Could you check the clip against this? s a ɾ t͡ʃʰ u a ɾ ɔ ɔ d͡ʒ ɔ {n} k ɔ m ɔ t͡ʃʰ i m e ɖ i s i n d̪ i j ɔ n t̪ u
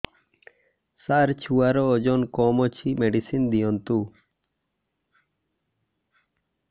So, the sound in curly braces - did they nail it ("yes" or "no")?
yes